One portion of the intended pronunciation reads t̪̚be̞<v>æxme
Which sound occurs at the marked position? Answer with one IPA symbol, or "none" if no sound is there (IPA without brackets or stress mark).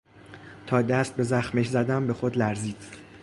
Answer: z